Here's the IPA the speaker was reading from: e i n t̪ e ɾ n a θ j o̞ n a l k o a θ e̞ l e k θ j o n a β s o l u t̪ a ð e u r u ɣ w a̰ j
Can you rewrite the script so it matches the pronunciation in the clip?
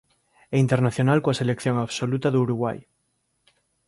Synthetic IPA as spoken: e i n t̪ e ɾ n a θ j o̞ n a l k o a s e̞ l e k θ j o ŋ a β s o l u t̪ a ð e u ɾ u ɣ w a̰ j